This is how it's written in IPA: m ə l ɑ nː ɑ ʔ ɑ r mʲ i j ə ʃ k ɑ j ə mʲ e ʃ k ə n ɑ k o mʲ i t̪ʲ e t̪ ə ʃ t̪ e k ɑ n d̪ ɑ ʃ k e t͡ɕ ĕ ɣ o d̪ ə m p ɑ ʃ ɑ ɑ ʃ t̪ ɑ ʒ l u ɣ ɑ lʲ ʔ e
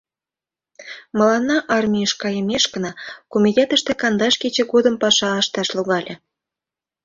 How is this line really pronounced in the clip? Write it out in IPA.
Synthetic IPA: m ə l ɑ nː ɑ ʔ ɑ r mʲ i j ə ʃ k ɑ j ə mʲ e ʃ k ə n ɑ k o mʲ i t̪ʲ e t̪ ə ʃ t̪ e k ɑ n d̪ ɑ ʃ k e t͡ɕ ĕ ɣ o d̪ ə m p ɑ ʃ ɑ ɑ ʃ t̪ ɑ ʃ l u ɣ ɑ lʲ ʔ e